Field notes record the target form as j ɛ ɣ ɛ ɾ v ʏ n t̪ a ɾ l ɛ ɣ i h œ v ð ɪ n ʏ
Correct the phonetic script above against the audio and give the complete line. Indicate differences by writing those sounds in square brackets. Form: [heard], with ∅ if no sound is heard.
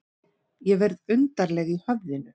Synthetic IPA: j ɛ [v] ɛ ɾ [ð] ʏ n t̪ a ɾ l ɛ ɣ i h œ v ð ɪ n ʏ